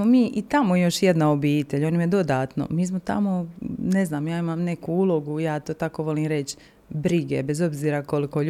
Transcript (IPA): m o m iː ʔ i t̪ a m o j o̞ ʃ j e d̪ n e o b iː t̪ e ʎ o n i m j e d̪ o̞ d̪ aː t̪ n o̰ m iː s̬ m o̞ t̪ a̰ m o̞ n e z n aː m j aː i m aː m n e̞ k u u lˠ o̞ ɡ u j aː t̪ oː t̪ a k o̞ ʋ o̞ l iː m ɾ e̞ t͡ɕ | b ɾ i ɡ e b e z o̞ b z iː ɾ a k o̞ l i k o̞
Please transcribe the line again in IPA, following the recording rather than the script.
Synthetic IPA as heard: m o m iː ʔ i t̪ a m o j o̞ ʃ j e d̪ n a o b iː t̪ e ʎ o n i m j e d̪ o̞ d̪ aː t̪ n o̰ m iː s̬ m o̞ t̪ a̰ m o̞ n e z n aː m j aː i m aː m n e̞ k u u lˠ o̞ ɡ u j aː t̪ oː t̪ a k o̞ ʋ o̞ l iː m ɾ e̞ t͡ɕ | b ɾ i ɡ e b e z o̞ b z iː ɾ a k o̞ l i k o̞